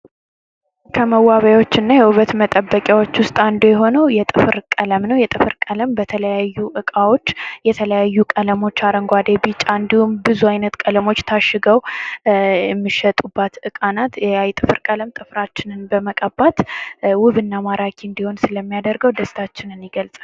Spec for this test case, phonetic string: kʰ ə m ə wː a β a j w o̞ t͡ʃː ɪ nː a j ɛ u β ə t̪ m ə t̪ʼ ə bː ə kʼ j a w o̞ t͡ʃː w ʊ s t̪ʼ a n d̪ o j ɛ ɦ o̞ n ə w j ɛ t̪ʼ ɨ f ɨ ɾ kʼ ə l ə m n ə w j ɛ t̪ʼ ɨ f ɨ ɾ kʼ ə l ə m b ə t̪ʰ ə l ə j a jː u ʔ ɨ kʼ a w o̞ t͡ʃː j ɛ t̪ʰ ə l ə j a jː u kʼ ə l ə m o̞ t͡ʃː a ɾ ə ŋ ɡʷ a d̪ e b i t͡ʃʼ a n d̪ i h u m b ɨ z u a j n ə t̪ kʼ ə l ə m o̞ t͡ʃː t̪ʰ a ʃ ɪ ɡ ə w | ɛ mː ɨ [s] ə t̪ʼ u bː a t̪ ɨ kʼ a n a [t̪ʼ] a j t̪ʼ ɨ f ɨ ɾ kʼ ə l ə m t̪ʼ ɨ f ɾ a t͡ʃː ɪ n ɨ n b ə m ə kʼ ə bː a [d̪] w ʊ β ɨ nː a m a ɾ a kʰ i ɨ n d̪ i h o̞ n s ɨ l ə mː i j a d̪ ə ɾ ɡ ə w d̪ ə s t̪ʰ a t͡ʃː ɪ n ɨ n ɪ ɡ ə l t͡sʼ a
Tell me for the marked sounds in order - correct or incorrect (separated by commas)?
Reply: incorrect, incorrect, incorrect